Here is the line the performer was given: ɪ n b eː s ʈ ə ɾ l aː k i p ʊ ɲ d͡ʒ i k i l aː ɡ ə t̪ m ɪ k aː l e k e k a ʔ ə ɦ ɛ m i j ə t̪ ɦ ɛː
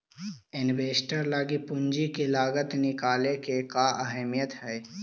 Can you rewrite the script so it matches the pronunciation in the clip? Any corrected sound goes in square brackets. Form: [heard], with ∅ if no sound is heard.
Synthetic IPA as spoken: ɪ n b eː s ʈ ə ɾ l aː [ɡ] i p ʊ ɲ d͡ʒ i k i l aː ɡ ə t̪ [n] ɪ k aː l e k e k a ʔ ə ɦ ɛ m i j ə t̪ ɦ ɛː